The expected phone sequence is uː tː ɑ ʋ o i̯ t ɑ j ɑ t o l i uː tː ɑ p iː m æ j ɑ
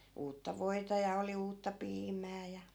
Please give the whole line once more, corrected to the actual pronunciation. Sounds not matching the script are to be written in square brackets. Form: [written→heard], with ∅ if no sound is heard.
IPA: uː tː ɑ ʋ o i̯ t ɑ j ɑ [t→∅] o l i uː tː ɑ p iː m [æ→æː] j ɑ